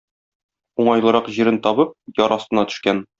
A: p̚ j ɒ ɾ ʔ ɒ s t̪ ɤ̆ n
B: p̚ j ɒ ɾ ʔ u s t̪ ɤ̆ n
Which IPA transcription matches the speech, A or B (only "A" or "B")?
A